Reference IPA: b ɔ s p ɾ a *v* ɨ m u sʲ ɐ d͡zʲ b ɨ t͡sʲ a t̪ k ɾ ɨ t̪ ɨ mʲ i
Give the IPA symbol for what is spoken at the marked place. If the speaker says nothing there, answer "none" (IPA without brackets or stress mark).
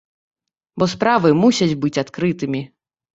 v